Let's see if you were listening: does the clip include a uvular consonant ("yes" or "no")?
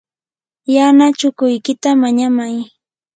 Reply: no